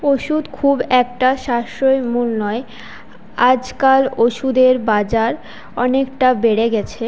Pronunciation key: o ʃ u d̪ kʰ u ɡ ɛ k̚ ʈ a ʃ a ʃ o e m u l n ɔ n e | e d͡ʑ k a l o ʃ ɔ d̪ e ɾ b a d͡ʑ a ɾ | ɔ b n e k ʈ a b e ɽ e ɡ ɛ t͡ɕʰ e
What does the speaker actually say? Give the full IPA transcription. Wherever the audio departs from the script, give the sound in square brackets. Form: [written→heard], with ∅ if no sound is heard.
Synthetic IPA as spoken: o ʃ u d̪ kʰ u [ɡ→b] ɛ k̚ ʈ a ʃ a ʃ o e m u l n ɔ [n→∅] e | [e→a] d͡ʑ k a l o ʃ [ɔ→u] d̪ e ɾ b a d͡ʑ a ɾ | ɔ [b→∅] n e k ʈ a b e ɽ e ɡ ɛ t͡ɕʰ e